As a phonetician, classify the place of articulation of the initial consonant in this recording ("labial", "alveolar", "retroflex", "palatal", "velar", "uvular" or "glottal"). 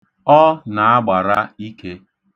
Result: alveolar